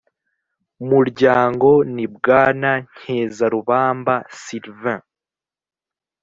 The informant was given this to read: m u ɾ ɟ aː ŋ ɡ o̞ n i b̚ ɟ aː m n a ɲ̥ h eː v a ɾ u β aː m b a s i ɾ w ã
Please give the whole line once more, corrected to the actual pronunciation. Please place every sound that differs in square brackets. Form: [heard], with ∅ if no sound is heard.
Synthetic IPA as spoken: m u ɾ ɟ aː ŋ ɡ o̞ n i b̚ [ɡ] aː [∅] n a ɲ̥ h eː [z] a ɾ u β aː m b a s i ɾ [v] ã